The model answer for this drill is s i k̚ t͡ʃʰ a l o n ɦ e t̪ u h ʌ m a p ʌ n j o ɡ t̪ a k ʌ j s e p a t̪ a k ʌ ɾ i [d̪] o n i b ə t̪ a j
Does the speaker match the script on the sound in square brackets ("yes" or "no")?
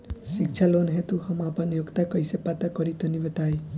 no